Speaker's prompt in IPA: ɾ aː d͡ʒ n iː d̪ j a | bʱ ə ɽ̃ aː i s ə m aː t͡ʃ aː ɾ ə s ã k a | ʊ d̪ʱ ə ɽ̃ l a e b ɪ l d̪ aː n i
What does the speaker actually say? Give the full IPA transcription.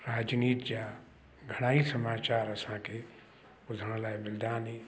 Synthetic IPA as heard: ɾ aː d͡ʒ n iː t̪ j a | ɡʱ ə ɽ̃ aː i s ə m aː t͡ʃ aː ɾ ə s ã k e | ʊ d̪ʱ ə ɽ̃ l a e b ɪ l d̪ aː n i